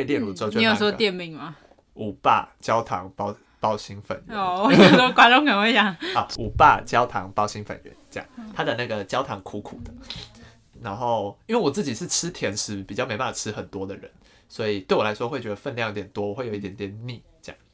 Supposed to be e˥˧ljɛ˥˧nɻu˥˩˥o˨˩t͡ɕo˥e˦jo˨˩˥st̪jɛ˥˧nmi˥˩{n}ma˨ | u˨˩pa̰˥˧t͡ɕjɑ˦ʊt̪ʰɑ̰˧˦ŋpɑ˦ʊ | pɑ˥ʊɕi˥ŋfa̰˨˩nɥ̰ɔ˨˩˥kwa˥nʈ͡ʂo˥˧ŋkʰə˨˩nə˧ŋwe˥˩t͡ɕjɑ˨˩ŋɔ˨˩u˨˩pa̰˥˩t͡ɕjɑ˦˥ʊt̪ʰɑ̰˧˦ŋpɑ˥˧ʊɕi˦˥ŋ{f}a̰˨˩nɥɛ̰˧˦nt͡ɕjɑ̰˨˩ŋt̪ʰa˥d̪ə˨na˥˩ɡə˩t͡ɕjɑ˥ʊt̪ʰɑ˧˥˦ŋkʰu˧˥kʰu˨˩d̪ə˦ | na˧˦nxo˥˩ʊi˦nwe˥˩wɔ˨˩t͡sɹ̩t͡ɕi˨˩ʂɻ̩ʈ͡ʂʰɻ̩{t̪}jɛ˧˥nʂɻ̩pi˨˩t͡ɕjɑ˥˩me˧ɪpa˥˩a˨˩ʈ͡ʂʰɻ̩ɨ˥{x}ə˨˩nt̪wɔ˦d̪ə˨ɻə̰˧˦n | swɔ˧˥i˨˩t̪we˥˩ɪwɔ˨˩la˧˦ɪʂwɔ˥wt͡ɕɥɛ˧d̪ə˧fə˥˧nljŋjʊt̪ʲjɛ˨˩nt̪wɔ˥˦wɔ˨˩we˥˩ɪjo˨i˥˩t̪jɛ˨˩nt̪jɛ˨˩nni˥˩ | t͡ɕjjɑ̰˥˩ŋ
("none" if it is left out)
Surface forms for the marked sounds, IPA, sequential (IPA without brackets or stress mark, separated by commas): ŋ, f, t̪ʰ, x